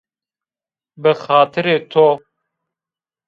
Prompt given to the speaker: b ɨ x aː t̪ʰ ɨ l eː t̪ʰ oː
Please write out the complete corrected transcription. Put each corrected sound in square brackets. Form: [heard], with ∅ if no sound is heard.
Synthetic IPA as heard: b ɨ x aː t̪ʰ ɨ [ɾ] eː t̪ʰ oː